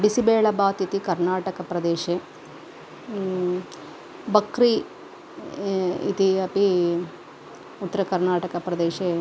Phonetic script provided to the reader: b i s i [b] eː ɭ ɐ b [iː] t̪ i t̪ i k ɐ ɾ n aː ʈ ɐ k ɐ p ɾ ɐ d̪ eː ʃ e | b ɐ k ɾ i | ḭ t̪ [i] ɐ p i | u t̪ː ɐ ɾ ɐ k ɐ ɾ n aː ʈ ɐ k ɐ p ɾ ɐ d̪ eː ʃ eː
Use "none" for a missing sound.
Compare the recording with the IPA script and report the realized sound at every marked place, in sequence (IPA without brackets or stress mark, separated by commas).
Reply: b, aː, i